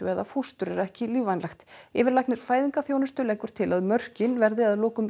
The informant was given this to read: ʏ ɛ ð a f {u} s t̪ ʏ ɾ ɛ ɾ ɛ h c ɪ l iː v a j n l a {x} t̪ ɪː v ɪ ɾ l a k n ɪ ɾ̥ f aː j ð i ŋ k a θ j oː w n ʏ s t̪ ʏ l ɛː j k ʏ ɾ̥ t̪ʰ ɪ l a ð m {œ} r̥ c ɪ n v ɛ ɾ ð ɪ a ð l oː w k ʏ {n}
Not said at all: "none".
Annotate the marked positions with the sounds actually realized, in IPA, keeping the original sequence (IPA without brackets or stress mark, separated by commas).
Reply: u, x, œ, m